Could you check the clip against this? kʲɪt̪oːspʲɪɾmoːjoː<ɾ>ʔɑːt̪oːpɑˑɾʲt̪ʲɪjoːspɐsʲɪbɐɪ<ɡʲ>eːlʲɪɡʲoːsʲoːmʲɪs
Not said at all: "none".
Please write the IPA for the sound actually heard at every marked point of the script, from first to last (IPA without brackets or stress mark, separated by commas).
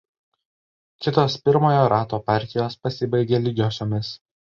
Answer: ɾ, ɡʲ